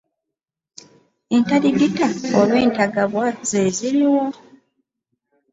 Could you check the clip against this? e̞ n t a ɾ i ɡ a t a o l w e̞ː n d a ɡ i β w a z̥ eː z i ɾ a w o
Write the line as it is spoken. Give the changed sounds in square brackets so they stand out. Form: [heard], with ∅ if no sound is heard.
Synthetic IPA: e̞ n t a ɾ i ɡ [i] t a o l w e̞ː n [t] a ɡ [a] β w a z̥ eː z i ɾ [i] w o